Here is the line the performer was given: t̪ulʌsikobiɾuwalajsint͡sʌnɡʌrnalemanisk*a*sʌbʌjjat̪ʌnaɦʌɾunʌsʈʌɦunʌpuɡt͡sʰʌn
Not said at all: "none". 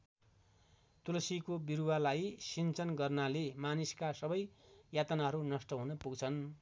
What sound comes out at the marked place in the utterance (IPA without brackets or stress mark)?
a